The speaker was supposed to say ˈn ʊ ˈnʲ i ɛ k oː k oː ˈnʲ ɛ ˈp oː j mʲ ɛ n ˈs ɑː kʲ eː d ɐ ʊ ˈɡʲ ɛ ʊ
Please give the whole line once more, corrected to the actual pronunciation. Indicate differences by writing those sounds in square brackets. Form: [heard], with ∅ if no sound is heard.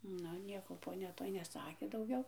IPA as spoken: ˈn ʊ ˈnʲ i ɛ k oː [p] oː ˈnʲ ɛ [ˈt] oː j [nʲ] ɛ [∅] ˈs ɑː kʲ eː d ɐ ʊ ˈɡʲ ɛ ʊ